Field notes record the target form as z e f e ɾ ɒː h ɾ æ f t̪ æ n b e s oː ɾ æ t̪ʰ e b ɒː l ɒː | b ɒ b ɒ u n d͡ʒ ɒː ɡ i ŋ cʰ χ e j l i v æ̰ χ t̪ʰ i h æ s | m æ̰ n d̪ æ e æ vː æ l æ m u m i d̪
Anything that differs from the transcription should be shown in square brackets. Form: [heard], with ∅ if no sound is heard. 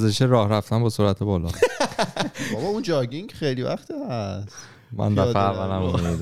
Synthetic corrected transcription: z e [ʃ] e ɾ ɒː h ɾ æ f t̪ æ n b e s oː ɾ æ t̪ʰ e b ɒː l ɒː | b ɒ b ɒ u n d͡ʒ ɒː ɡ i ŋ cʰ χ e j l i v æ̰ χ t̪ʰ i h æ s | m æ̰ n d̪ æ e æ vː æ l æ m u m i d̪